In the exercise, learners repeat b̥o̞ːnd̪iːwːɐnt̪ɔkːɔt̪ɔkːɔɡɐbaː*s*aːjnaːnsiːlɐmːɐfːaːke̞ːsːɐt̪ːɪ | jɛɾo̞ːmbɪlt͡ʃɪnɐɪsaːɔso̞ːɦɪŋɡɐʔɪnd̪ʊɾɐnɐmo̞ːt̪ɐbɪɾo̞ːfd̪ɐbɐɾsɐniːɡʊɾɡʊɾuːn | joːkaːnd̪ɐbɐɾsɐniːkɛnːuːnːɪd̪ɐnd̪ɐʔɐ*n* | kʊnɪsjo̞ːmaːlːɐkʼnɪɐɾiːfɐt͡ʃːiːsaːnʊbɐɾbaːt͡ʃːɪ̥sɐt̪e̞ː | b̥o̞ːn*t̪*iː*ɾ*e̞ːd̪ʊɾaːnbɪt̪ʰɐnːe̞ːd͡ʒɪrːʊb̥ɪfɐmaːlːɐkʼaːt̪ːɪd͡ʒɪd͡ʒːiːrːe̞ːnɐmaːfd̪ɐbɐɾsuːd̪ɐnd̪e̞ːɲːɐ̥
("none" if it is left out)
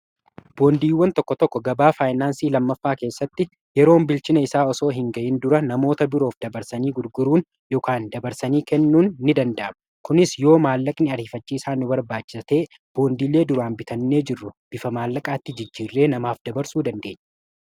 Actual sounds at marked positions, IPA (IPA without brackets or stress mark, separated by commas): f, m, d̪, l